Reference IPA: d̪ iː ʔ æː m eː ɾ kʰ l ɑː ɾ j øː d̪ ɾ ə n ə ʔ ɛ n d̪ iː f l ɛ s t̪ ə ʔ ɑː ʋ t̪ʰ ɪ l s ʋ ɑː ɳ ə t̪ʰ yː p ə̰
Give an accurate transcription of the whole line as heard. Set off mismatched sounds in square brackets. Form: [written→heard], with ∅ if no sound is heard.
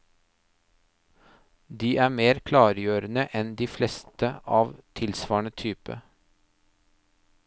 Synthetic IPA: d̪ iː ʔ æː m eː ɾ kʰ l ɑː ɾ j øː [d̪→∅] ɾ ə n ə ʔ ɛ n d̪ iː f l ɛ s t̪ ə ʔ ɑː ʋ t̪ʰ ɪ l s ʋ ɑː ɳ ə t̪ʰ yː p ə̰